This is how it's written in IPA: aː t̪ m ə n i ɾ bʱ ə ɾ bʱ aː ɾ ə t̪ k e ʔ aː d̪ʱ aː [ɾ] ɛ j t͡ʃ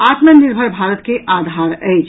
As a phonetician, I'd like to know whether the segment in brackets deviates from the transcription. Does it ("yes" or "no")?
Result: no